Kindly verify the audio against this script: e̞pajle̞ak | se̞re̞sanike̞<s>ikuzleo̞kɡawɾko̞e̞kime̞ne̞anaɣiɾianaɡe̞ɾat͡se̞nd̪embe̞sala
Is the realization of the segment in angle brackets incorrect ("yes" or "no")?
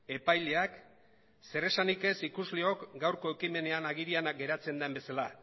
no